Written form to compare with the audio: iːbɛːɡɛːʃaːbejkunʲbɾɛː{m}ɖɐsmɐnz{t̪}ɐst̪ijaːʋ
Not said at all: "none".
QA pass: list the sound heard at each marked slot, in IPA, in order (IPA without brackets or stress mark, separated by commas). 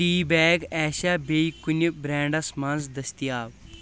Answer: ɳ, d̪